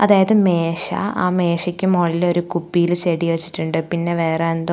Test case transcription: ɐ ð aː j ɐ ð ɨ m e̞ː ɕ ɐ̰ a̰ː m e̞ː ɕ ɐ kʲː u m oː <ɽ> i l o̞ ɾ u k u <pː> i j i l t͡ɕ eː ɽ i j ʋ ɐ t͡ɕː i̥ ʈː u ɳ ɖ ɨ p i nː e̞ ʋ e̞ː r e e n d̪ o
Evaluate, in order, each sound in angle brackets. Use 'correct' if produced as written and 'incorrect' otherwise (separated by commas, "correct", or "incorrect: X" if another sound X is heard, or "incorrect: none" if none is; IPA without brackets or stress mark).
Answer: incorrect: ɭ, correct